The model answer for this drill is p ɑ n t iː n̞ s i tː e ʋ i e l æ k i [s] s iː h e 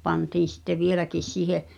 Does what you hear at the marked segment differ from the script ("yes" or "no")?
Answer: no